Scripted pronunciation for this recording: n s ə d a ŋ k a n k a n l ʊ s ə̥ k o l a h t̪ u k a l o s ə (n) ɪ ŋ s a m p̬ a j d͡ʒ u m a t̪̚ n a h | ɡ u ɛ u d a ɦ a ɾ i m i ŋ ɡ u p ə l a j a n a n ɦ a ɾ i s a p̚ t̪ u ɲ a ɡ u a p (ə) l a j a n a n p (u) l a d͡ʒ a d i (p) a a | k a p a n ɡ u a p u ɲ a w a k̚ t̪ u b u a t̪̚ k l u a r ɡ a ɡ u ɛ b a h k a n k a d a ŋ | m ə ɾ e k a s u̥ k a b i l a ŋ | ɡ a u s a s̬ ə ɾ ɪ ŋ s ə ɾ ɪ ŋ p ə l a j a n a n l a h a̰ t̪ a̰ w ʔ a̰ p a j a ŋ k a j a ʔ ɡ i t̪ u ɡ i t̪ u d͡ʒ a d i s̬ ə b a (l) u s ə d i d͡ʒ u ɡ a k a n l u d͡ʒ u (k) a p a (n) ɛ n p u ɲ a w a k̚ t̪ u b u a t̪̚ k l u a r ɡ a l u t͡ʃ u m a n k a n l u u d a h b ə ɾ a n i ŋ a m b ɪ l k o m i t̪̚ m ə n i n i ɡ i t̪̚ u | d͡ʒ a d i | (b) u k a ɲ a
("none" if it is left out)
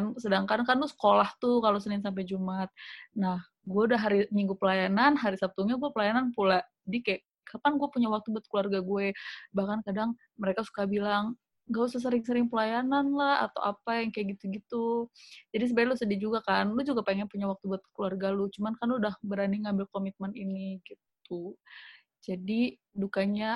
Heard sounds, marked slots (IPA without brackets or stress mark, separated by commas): n, ə, u, k, l, ɡ, ŋ, d